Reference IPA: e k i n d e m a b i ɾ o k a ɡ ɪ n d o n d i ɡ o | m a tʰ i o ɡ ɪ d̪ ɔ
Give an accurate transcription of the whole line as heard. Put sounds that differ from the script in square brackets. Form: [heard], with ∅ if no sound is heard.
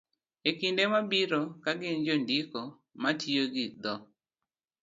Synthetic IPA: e k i n d e m a b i ɾ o k a ɡ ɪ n [d͡ʒ] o n d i [k] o | m a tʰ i o ɡ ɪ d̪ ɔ